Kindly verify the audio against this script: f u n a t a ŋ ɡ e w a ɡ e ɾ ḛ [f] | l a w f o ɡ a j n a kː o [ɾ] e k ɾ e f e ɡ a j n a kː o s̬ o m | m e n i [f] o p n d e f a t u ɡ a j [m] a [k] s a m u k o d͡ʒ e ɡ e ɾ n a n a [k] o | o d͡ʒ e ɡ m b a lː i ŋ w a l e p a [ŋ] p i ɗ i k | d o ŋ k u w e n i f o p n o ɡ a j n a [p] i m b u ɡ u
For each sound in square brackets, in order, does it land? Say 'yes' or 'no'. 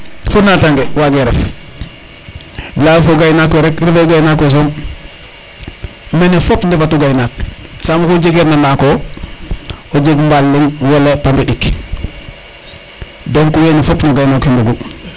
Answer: yes, yes, yes, no, yes, yes, no, no

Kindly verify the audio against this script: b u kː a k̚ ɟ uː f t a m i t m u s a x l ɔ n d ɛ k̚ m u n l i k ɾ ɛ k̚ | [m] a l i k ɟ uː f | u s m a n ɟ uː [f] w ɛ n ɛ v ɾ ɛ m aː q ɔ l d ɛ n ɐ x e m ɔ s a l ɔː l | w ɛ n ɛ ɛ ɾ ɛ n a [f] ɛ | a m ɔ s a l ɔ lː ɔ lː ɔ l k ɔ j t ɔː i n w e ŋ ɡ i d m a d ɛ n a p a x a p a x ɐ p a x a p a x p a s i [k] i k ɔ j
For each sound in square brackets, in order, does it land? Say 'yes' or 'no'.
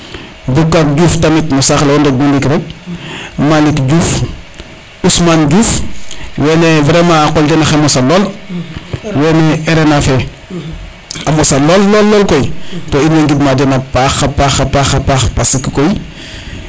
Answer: yes, yes, yes, yes

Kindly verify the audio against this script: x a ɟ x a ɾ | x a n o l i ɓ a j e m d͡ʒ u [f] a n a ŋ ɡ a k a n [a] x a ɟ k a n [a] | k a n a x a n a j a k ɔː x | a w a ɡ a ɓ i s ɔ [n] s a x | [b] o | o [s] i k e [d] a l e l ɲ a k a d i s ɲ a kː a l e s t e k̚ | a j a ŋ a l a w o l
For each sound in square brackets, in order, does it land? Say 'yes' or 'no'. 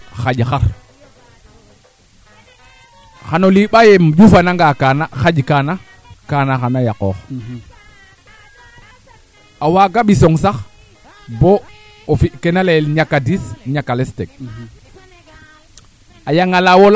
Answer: yes, yes, yes, no, yes, no, no

